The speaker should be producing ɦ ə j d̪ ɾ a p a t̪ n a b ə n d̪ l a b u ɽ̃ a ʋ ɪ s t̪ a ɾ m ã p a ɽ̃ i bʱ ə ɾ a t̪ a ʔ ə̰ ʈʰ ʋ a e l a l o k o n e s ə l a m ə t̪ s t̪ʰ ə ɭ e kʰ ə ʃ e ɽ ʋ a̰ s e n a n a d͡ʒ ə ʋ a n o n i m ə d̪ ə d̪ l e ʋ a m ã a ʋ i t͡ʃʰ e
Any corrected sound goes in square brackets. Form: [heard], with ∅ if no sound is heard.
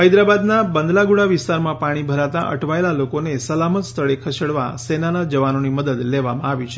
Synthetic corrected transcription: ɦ ə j d̪ ɾ a [b] a [d̪] n a b ə n d̪ l a [ɡ] u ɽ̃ a ʋ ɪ s t̪ a ɾ m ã p a ɽ̃ i bʱ ə ɾ a t̪ a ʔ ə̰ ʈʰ ʋ a e l a l o k o n e s ə l a m ə t̪ s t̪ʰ ə ɭ e kʰ ə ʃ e ɽ ʋ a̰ s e n a n a d͡ʒ ə ʋ a n o n i m ə d̪ ə d̪ l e ʋ a m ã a ʋ i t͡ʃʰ e